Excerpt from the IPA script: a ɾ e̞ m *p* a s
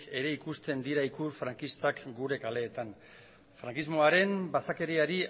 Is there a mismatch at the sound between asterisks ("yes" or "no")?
yes